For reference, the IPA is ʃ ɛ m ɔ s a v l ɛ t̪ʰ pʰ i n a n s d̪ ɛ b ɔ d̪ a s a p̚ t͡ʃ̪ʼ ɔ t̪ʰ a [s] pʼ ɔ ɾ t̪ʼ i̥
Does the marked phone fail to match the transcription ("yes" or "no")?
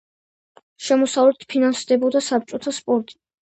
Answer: no